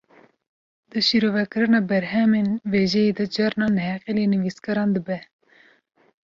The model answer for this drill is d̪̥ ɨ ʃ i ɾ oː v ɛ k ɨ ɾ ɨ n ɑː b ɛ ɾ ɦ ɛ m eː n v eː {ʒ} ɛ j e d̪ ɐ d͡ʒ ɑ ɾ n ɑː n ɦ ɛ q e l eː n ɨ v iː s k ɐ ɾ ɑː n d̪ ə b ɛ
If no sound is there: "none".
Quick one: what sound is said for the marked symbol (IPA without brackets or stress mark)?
ʒ